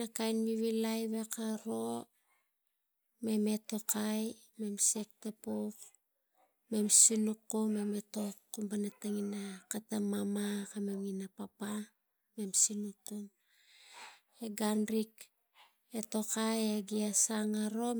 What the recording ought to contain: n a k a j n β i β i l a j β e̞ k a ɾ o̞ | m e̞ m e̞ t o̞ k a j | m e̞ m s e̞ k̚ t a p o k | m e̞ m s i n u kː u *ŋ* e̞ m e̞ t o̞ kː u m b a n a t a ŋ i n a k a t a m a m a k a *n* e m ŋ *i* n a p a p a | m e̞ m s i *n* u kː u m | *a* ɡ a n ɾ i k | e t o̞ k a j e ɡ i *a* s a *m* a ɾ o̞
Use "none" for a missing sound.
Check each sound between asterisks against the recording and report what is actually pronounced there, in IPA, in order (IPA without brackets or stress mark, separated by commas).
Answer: m, m, i, n, e, a, ŋ